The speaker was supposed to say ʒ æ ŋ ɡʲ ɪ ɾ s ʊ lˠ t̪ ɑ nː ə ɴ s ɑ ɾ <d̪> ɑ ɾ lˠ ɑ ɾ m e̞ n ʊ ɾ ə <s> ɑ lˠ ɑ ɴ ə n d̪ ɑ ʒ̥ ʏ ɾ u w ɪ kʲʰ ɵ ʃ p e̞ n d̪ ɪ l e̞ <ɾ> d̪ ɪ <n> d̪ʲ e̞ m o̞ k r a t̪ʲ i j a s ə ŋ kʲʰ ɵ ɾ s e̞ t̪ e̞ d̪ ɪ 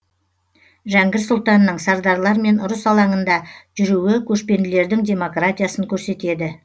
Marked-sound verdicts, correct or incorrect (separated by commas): correct, correct, correct, incorrect